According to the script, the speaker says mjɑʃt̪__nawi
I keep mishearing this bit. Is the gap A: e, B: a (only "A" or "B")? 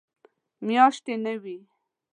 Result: A